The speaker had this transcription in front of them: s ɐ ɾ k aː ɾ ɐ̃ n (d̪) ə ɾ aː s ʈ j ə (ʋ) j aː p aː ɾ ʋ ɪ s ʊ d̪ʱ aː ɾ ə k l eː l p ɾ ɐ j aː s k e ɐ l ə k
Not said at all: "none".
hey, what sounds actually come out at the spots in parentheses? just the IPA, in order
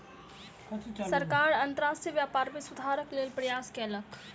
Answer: t̪, ʋ

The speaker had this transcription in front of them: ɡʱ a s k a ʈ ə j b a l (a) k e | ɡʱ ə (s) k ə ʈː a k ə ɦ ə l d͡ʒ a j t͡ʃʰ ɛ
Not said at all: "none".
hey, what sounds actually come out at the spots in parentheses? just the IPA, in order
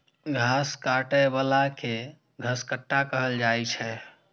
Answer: a, s

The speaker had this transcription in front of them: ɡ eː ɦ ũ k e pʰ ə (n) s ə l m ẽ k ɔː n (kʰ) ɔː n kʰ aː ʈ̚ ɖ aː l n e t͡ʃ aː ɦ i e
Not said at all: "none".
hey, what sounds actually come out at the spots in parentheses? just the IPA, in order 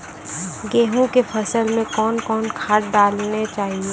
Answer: none, k

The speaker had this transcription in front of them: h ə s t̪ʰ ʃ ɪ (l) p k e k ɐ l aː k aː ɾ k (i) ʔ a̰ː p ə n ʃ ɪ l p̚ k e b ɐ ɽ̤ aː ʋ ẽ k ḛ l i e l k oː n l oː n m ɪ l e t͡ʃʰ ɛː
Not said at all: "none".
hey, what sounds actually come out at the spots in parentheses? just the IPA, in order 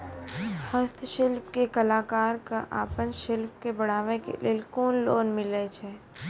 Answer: l, a

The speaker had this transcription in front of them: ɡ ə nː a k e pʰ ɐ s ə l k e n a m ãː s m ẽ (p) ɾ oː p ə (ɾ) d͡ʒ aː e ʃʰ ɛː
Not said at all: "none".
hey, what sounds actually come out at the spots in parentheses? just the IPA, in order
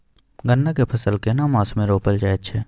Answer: none, l

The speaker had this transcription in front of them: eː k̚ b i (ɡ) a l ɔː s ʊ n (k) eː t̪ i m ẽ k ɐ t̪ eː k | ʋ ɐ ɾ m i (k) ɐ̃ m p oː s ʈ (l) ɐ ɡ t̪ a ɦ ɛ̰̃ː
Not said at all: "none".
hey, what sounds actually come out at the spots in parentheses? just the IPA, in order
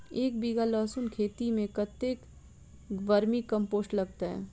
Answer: ɡ, kʰ, k, l

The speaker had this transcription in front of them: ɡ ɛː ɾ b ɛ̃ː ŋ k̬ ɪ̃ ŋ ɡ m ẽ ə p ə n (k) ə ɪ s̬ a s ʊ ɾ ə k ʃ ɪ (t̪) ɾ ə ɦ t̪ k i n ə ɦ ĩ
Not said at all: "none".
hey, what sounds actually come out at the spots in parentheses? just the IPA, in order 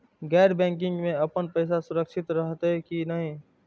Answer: p, t̪

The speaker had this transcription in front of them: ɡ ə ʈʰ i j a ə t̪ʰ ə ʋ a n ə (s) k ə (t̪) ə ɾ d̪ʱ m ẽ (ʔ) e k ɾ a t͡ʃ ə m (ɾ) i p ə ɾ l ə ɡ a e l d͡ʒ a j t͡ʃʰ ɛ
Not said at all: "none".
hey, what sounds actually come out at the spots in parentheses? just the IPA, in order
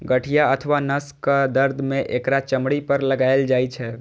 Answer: s, d̪, ʔ, ɽ

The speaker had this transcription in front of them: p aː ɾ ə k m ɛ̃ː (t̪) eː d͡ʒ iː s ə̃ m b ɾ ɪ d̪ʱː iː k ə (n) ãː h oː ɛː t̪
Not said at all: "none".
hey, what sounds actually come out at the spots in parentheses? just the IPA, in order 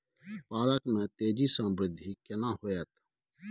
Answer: t̪, n

